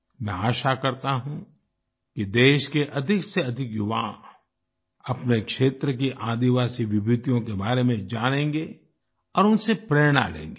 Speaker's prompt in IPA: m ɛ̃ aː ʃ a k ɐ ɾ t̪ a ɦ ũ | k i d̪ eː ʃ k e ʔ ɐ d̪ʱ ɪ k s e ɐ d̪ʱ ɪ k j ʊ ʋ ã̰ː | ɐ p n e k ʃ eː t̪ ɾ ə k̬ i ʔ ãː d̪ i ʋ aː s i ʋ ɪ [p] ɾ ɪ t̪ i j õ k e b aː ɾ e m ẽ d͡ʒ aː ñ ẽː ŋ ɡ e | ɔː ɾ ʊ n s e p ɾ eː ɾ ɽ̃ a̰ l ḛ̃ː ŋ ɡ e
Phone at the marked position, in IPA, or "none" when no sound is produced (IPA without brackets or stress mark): b